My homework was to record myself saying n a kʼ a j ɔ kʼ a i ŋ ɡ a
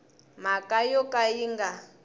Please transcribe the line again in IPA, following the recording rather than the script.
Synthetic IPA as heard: m a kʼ a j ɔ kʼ a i ŋ ɡ a